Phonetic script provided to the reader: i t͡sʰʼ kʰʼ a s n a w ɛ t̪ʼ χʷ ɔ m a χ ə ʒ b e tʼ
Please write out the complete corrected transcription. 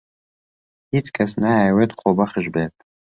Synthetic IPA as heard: i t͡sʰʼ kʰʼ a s n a w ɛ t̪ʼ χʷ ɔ b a χ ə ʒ b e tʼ